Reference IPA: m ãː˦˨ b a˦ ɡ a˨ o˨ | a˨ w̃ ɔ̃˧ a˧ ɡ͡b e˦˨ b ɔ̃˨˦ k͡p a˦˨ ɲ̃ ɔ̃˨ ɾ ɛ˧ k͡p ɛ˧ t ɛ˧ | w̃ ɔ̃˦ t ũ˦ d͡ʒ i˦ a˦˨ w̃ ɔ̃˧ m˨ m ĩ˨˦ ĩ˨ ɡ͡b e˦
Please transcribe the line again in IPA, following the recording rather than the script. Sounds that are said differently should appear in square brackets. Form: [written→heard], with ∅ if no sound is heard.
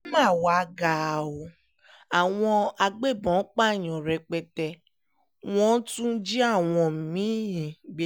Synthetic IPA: m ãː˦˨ [b→w] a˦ ɡ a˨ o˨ | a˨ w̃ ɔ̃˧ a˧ ɡ͡b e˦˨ b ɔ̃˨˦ k͡p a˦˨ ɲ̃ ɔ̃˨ ɾ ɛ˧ k͡p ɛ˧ t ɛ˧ | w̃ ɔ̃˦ t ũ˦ d͡ʒ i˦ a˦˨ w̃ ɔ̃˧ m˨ m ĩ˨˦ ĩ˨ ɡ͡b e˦